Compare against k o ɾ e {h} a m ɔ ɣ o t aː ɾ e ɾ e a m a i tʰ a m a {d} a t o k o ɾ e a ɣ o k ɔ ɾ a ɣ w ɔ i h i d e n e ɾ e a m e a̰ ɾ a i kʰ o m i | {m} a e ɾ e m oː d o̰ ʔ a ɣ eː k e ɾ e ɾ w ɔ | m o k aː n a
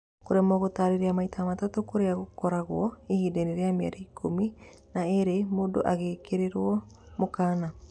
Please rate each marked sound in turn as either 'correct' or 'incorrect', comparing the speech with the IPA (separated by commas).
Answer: incorrect, incorrect, incorrect